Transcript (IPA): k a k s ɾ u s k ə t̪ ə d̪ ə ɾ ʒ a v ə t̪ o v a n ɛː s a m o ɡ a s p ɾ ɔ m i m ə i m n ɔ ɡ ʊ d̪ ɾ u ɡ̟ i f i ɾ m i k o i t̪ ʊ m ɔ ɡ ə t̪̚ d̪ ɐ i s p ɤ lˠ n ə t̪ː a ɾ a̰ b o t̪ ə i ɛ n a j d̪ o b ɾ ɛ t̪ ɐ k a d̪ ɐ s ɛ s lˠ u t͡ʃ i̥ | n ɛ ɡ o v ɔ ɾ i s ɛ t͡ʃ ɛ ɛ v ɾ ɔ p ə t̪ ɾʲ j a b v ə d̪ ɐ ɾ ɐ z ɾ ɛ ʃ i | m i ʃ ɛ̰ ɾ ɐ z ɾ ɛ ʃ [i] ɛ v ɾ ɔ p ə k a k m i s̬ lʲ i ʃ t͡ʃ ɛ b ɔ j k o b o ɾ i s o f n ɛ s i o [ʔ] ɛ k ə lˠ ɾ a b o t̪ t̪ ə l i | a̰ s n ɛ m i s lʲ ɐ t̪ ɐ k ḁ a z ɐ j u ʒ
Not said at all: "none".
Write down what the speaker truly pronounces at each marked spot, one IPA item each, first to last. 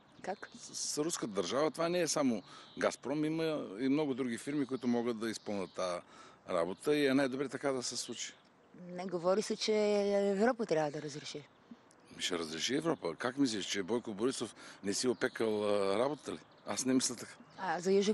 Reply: i, p

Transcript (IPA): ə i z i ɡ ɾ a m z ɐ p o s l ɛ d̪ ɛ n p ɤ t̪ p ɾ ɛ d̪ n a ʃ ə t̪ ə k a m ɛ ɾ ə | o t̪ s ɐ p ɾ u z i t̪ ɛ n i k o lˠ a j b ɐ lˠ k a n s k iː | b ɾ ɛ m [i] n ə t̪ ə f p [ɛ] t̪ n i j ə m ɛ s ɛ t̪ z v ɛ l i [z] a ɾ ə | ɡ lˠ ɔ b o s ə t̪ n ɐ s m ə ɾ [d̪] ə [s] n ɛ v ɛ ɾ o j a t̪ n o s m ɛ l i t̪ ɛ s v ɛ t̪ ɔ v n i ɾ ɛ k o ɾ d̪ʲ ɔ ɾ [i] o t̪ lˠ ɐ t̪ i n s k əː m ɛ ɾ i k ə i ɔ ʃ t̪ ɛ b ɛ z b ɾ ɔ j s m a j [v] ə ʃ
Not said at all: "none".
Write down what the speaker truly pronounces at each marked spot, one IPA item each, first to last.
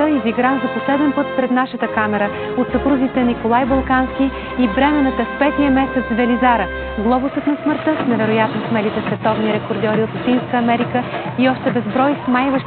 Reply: ɛ, ɛ, z, t̪, s, i, v

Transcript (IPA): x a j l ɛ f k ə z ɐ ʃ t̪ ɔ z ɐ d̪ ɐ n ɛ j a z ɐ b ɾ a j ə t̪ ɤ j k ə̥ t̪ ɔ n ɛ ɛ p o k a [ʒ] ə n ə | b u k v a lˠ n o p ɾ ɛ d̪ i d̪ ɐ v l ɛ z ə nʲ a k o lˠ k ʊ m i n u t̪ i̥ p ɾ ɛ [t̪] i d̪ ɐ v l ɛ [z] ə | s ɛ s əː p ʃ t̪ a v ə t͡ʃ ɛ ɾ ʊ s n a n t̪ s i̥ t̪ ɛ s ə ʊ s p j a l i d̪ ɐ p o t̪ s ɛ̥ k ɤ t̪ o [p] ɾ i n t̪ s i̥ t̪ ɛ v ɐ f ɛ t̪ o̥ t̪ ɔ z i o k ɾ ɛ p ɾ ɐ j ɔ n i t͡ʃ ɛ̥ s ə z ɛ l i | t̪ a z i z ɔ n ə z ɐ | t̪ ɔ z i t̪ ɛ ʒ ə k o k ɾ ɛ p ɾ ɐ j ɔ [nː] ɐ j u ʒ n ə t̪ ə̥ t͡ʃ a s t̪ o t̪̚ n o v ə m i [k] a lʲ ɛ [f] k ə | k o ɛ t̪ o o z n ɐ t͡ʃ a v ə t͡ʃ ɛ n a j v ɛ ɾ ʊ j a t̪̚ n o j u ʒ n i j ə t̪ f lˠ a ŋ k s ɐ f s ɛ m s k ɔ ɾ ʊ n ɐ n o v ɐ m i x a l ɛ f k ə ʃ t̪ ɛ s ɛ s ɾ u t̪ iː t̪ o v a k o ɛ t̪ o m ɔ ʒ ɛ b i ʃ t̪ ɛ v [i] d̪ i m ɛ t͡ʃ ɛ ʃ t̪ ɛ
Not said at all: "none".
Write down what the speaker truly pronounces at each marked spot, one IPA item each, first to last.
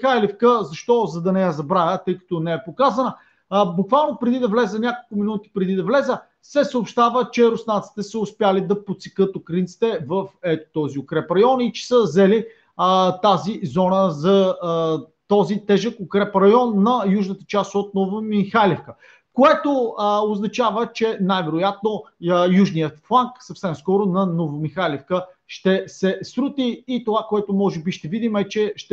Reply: z, d̪, z, k, nː, x, f, i

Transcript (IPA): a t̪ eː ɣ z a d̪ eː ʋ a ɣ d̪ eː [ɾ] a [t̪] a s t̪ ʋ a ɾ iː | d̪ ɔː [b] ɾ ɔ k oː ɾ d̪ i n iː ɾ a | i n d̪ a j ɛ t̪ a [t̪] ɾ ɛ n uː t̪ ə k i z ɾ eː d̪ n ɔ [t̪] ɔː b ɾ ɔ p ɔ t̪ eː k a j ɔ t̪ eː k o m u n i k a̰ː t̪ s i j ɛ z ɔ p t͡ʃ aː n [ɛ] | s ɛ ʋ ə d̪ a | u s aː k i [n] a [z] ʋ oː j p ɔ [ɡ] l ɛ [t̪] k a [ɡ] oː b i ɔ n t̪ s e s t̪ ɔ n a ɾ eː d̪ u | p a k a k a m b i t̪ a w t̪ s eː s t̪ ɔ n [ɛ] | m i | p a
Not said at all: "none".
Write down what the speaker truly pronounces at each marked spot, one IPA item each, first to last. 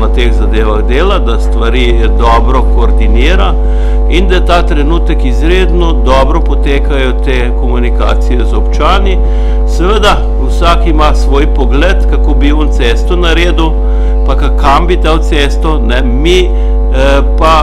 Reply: l, d̪, b, t̪, d̪, i, m, s, ɡ, t̪, k, ɛ

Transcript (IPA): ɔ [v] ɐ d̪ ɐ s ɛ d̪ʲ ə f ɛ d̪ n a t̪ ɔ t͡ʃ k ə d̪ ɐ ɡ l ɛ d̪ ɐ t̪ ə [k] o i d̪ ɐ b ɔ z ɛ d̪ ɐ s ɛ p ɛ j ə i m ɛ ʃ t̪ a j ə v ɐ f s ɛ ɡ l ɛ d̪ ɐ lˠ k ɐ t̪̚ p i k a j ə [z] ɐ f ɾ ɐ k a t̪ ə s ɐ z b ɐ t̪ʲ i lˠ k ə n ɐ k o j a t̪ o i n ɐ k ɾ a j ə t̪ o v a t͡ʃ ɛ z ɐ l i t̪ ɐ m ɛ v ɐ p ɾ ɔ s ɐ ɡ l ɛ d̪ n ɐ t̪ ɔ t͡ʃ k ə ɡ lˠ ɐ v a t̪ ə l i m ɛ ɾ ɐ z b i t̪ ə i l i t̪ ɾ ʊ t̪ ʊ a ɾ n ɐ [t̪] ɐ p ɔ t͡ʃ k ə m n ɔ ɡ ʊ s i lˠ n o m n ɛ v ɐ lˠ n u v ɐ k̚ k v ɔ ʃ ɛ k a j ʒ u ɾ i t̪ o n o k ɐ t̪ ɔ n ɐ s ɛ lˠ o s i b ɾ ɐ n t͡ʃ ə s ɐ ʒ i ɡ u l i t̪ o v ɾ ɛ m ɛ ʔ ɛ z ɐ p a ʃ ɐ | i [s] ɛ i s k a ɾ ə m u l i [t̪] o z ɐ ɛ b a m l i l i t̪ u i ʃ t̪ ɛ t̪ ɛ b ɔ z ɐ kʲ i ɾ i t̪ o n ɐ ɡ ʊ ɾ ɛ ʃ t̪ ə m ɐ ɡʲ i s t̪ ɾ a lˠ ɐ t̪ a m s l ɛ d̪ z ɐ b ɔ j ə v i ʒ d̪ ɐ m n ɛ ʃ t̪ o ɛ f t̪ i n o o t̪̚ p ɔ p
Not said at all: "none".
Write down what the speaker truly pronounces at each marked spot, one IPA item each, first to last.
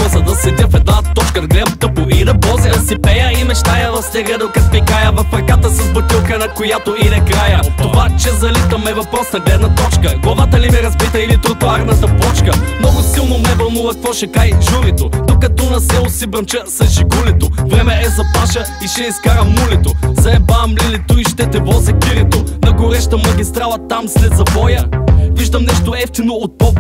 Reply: z, p, v, t̪, ʃ, t̪

